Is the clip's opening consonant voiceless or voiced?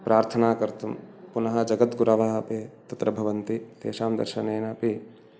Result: voiceless